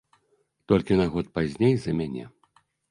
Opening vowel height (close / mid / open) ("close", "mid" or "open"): mid